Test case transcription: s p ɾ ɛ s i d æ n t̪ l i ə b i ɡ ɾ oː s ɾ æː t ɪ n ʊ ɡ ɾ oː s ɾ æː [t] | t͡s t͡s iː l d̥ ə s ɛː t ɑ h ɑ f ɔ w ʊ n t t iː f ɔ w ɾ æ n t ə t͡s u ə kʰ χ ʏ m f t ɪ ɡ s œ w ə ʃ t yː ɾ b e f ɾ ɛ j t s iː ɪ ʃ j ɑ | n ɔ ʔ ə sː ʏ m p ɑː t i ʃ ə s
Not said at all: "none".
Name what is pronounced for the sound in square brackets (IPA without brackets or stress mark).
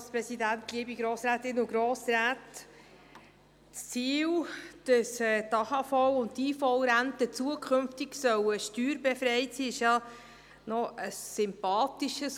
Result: t